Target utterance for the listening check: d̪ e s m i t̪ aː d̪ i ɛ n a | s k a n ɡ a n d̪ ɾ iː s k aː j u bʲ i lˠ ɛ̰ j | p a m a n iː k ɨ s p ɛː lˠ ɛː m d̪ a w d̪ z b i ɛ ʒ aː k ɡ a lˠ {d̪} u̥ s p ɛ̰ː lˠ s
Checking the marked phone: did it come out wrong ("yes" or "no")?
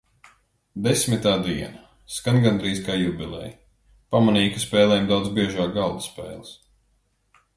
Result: no